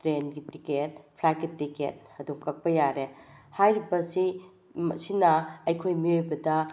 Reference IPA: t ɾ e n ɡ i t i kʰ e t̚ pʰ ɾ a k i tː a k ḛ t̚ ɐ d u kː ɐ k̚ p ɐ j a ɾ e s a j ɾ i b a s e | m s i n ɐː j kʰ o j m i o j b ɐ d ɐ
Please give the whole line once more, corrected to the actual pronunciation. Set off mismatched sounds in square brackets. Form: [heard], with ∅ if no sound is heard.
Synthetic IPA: t ɾ e n ɡ i t i [k] e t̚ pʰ ɾ a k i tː [i] k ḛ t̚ ɐ d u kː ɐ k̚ p ɐ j a ɾ e [h] a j ɾ i b [ɐ] s [i] | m s i n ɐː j kʰ o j m i o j b ɐ d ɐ